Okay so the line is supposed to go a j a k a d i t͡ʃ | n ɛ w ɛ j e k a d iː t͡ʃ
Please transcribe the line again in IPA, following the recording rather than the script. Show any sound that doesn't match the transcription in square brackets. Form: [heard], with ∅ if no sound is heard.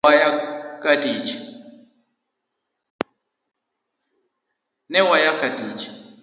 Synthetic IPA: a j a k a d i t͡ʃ | n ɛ w [a] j [a] k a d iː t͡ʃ